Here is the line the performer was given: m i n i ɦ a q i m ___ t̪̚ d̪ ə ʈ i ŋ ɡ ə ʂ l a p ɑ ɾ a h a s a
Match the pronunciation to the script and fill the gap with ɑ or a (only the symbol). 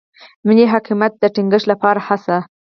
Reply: a